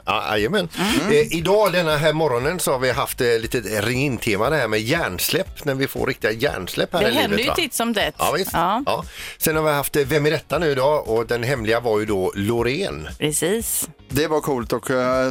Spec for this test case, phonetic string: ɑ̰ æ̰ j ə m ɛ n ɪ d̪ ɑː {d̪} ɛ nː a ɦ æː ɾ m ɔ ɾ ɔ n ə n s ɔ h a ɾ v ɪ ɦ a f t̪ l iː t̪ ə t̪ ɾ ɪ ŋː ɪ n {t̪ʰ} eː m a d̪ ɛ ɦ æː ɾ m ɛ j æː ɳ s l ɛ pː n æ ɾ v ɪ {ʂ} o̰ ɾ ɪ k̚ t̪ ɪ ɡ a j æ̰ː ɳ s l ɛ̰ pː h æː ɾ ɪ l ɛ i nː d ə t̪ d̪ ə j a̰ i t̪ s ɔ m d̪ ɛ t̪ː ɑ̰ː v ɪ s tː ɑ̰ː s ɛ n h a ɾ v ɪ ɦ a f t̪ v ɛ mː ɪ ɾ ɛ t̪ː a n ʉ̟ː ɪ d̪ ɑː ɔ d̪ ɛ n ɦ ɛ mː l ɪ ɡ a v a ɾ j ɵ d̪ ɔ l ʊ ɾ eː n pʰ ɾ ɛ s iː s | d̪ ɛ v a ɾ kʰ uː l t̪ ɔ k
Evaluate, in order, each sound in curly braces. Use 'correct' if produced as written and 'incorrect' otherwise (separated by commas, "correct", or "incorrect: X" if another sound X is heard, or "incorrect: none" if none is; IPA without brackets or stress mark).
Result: correct, correct, incorrect: f